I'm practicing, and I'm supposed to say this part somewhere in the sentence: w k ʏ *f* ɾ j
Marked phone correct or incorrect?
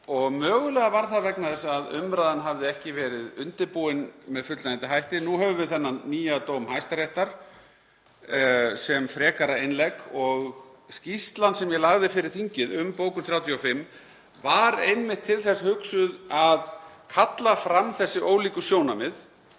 incorrect